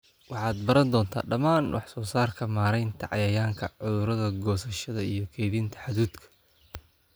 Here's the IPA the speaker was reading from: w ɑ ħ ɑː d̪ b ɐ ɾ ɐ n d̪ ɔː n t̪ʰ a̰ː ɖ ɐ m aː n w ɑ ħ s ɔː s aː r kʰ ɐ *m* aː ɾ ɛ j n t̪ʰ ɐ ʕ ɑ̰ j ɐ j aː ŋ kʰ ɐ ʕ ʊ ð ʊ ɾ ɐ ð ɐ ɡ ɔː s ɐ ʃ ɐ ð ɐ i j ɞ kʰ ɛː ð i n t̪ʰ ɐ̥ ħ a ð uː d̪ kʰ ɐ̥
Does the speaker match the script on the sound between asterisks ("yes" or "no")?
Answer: yes